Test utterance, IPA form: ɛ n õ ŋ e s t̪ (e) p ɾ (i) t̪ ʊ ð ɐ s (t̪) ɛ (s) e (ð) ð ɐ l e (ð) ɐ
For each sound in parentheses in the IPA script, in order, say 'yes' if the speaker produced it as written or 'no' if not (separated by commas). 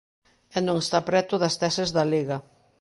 no, no, yes, yes, no, no